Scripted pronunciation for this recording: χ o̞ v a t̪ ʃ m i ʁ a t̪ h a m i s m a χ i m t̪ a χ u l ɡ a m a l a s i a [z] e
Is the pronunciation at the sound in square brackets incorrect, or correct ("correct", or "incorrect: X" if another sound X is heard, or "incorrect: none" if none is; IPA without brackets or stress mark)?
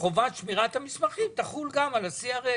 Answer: incorrect: ʁ